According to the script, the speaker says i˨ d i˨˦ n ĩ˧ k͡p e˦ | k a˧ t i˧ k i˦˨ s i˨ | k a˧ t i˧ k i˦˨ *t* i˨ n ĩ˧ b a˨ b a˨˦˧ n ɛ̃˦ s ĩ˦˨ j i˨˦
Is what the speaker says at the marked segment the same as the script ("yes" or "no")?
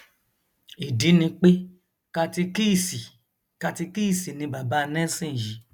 no